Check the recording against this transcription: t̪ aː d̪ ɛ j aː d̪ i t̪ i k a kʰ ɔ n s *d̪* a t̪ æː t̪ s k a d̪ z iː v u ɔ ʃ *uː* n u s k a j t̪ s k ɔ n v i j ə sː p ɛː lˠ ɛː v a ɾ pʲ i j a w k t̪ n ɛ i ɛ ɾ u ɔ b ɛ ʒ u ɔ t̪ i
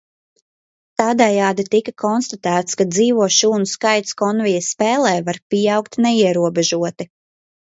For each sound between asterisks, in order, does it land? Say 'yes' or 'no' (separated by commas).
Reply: no, yes